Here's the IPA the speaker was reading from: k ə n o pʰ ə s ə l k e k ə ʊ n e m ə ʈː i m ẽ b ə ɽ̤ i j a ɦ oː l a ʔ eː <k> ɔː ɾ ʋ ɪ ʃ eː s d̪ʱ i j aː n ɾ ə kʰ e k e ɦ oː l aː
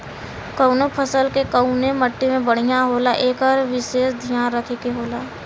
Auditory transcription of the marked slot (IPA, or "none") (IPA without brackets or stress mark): k